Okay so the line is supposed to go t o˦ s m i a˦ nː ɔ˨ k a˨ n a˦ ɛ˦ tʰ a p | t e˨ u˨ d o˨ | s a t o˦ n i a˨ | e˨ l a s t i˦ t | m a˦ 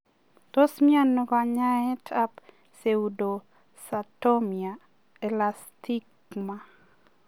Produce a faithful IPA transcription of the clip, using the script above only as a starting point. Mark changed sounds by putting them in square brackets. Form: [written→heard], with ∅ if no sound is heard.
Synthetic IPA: t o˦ s m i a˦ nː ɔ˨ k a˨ [n→ɲ] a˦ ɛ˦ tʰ a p | [t→s] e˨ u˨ d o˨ | s a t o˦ [n→m] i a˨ | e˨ l a s t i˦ [t→k] | m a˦